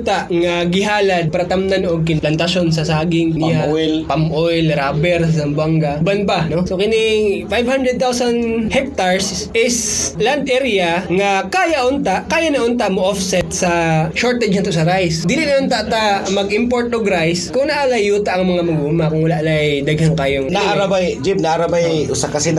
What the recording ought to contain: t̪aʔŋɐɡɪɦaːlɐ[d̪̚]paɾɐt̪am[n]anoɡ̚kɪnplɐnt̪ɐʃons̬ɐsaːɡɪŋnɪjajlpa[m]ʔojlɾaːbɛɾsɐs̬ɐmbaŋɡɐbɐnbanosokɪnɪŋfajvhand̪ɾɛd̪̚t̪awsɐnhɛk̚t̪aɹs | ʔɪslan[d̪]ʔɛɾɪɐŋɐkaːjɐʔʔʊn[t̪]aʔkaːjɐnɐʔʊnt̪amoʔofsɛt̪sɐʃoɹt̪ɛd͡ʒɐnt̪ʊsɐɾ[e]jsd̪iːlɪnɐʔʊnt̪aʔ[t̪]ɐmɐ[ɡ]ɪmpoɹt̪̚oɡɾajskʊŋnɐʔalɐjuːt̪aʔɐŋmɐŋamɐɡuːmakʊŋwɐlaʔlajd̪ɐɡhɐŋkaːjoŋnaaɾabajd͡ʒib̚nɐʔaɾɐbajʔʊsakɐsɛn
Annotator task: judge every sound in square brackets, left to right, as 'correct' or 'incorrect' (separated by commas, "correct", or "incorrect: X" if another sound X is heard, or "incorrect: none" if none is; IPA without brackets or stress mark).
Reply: correct, correct, correct, correct, correct, incorrect: a, correct, correct